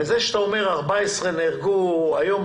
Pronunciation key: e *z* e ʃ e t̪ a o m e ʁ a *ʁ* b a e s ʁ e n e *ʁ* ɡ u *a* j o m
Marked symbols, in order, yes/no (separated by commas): yes, yes, yes, yes